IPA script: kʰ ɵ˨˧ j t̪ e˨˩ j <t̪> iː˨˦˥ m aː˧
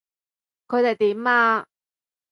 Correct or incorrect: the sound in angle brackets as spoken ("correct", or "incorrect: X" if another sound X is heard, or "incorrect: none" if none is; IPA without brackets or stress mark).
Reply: correct